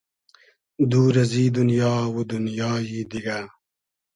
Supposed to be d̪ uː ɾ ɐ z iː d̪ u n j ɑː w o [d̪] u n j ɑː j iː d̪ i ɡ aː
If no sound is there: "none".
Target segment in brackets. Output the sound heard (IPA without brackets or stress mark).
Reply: d̪